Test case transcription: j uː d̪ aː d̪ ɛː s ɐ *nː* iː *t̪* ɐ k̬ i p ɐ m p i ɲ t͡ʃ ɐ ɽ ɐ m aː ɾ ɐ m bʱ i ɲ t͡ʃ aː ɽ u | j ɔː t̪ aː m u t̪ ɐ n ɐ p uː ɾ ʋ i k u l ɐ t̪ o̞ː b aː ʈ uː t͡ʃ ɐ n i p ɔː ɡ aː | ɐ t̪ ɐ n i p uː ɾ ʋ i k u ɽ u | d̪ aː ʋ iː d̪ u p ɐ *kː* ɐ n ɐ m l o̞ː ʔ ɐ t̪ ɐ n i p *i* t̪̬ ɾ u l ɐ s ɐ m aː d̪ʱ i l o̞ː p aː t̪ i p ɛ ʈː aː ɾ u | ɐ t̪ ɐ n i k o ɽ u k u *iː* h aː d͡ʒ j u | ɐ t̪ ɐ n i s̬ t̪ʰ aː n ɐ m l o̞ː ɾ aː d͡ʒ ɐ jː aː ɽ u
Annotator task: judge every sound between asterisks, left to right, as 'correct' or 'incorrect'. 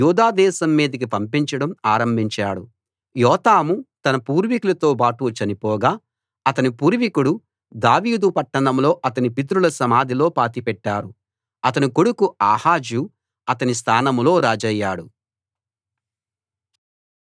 incorrect, incorrect, incorrect, correct, incorrect

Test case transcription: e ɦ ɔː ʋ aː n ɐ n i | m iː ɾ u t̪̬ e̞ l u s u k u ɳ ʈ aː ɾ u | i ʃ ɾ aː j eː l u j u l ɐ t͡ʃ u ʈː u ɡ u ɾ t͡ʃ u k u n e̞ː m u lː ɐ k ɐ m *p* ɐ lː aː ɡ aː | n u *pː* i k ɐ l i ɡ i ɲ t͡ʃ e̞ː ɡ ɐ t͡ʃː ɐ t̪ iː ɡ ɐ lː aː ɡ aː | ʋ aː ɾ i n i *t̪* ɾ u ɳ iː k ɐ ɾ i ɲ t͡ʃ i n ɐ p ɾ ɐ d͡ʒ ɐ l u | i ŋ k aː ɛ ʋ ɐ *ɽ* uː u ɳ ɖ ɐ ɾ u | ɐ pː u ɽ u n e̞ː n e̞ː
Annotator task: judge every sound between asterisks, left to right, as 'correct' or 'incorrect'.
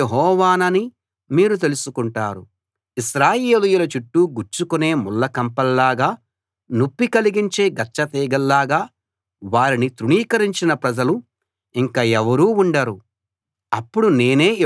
correct, correct, correct, incorrect

